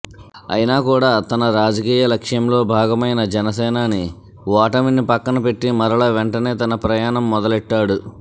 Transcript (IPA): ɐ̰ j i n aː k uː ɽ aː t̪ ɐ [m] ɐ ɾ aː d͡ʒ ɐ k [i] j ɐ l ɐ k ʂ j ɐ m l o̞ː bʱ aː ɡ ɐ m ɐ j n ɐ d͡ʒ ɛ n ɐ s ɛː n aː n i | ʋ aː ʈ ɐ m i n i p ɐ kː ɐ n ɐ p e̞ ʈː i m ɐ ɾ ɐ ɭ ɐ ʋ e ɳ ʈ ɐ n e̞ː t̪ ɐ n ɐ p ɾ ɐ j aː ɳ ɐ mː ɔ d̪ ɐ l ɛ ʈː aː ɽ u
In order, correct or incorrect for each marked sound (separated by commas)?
incorrect, incorrect